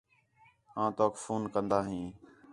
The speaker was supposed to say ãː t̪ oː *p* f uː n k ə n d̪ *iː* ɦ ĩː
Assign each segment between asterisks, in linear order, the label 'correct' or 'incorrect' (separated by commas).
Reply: incorrect, incorrect